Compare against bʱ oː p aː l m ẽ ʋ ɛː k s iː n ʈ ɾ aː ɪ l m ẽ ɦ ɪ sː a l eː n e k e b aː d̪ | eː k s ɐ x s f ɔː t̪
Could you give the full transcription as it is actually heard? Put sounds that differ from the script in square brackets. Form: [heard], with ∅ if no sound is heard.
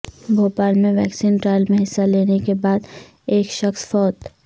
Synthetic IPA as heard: bʱ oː p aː l m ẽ ʋ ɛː k s iː n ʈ ɾ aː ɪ l m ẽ ɦ ɪ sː a l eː n e k e b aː d̪ | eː k [ʃ] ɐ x s f ɔː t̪